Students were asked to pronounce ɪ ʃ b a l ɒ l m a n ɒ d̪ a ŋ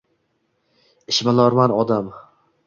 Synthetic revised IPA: ɪ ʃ m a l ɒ ɾ m a n ɒ d̪ a m